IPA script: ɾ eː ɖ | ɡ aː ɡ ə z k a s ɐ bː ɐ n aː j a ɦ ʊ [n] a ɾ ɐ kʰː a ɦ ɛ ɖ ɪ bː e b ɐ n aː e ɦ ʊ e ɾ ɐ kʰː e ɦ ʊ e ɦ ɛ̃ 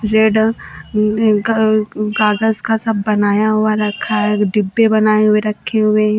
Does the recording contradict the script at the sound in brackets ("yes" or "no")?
yes